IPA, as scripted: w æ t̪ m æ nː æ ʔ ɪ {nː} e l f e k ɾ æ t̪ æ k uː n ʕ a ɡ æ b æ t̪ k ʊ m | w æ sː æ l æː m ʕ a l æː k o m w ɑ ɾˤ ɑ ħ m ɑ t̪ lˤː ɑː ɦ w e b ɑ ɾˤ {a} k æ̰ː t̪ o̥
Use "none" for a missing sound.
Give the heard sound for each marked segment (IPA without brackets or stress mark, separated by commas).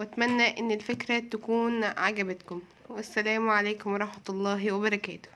nː, ɑ